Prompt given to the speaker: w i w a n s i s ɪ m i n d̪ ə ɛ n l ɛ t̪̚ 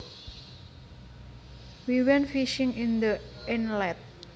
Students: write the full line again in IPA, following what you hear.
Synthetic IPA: w i w ɛ n f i ʃ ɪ ŋ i n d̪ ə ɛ n l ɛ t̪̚